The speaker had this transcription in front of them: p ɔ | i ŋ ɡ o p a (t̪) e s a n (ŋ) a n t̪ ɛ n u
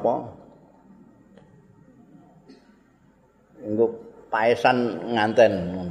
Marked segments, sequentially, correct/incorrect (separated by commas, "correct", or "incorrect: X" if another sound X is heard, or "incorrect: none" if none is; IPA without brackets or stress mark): incorrect: none, correct